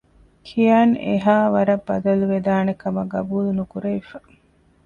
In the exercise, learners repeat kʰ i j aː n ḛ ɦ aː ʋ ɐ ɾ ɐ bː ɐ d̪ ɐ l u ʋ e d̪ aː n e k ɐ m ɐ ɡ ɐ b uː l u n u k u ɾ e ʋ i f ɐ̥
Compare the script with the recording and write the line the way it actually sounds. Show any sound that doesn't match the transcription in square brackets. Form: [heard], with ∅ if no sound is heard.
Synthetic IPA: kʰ i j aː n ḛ ɦ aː ʋ ɐ ɾ ɐ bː ɐ d̪ ɐ l u ʋ e d̪ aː n e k ɐ m ɐ ɡ ɐ b uː l u n u k u ɾ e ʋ i f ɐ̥